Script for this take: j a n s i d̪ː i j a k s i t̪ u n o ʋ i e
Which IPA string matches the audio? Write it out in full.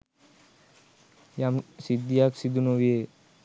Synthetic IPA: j a m s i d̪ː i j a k s i d̪ u n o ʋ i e